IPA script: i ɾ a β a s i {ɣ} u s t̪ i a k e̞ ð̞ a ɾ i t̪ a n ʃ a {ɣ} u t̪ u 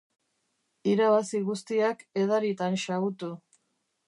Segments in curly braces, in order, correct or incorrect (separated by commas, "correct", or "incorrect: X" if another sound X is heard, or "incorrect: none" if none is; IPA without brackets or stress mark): correct, correct